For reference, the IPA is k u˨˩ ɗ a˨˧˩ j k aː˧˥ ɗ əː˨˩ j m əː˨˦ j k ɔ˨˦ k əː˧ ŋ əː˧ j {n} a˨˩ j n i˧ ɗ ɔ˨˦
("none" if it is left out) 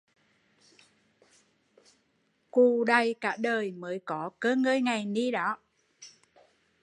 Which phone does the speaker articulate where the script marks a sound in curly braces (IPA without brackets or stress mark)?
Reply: ŋ